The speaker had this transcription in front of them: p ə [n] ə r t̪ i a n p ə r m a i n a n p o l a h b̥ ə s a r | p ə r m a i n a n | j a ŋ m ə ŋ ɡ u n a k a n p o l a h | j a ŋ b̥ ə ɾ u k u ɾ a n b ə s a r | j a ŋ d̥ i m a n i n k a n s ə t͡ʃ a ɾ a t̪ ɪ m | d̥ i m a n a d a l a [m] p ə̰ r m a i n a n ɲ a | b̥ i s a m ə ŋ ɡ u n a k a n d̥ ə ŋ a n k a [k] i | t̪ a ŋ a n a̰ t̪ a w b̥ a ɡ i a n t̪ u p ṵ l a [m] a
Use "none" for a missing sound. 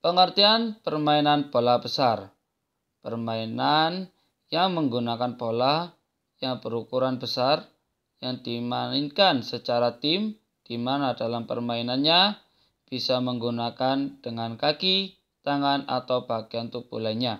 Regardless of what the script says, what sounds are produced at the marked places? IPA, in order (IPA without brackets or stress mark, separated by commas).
ŋ, m, k, ɲ